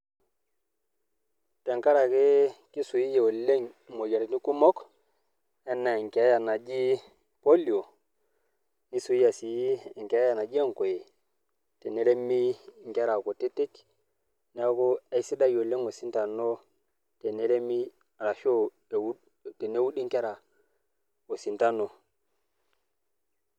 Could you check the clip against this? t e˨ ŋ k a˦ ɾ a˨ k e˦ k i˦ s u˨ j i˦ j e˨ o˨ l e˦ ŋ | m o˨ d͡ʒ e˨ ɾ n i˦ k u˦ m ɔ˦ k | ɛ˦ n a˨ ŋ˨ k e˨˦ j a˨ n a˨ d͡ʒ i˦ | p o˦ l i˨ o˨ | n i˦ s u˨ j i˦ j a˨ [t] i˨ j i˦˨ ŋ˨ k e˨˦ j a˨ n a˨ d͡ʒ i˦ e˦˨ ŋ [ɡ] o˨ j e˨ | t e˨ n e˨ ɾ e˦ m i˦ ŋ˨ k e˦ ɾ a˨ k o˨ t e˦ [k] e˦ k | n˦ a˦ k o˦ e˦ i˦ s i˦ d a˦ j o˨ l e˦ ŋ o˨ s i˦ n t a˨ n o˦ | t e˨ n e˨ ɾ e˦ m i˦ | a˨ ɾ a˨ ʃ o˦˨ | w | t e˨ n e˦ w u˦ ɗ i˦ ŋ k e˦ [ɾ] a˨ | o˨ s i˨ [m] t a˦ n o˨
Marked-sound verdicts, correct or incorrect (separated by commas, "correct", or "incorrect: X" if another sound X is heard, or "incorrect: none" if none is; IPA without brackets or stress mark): incorrect: s, incorrect: k, incorrect: t, correct, incorrect: n